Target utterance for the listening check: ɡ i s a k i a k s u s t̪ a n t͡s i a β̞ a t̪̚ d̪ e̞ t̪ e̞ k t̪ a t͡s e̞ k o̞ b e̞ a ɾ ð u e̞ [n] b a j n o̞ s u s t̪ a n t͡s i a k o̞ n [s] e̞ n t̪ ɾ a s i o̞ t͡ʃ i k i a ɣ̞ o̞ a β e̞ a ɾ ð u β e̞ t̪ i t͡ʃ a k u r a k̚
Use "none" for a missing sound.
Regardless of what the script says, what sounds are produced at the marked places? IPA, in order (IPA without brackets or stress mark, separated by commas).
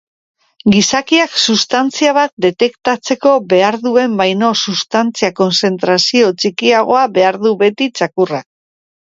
m, s